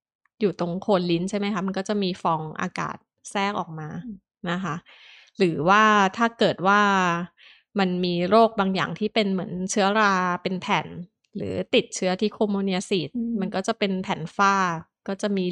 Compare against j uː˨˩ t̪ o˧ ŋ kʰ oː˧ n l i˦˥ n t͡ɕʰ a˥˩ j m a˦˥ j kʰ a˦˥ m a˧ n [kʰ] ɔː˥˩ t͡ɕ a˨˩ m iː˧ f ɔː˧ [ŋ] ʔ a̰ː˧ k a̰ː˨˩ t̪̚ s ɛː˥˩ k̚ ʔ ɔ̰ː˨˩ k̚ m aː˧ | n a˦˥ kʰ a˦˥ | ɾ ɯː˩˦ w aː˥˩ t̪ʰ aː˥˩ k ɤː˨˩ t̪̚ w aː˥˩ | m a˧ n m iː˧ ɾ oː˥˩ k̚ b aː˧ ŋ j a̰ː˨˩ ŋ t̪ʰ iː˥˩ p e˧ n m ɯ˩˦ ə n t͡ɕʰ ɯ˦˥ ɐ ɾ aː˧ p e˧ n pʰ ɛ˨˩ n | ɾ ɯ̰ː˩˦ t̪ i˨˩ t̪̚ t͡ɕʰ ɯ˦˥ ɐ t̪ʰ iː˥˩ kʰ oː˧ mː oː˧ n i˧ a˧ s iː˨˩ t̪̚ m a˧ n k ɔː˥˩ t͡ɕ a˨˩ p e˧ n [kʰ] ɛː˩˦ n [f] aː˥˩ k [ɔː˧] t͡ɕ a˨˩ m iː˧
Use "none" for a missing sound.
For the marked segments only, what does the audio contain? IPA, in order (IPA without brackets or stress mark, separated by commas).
k, ŋ, pʰ, f, ɔː˥˩